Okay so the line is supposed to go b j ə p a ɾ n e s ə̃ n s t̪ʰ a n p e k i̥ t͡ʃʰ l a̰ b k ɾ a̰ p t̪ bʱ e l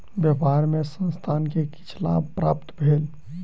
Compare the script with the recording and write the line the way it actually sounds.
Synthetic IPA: b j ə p a ɾ m e s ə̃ n s t̪ʰ a n k e k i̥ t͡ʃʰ l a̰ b p ɾ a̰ p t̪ bʱ e l

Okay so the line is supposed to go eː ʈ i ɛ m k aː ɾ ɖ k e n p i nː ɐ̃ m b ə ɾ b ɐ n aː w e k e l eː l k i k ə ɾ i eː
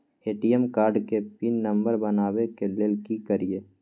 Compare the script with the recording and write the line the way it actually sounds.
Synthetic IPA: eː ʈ i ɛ m k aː ɾ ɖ k e p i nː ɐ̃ m b ə ɾ b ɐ n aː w e k e l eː l k i k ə ɾ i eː

